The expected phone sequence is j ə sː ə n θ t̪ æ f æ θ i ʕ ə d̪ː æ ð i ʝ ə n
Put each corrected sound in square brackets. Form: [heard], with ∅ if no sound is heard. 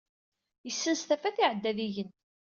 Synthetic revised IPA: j ə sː ə n [s] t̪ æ f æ θ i ʕ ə d̪ː æ ð i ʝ ə n